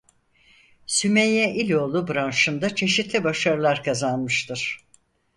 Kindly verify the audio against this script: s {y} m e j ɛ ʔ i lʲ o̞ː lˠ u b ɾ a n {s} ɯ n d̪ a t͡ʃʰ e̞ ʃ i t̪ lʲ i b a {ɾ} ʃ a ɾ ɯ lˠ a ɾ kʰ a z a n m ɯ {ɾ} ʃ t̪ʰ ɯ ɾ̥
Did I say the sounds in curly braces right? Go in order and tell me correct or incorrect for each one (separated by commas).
correct, incorrect, incorrect, incorrect